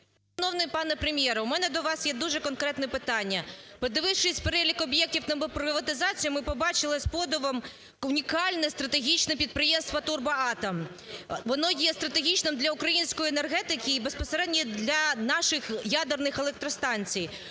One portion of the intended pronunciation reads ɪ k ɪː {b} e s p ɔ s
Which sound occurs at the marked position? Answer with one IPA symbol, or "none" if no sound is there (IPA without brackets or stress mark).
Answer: b